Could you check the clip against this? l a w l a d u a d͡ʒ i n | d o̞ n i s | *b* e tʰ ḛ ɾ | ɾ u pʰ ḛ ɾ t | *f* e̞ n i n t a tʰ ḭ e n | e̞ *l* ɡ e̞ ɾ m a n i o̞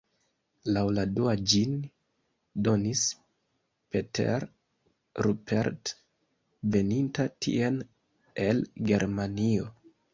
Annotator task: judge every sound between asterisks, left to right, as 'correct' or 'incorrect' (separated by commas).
incorrect, incorrect, correct